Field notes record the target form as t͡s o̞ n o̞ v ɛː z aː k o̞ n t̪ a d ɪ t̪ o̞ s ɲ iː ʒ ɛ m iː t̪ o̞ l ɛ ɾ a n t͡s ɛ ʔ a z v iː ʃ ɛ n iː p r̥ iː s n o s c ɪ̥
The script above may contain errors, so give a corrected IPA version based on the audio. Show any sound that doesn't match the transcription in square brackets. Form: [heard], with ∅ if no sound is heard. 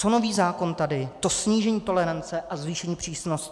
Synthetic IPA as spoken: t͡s o̞ n o̞ v [iː] z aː k o̞ n t̪ a d ɪ t̪ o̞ s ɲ iː ʒ ɛ [ɲ] iː t̪ o̞ l ɛ ɾ a n t͡s ɛ ʔ a z v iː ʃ ɛ [ɲ] iː p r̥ iː s n o s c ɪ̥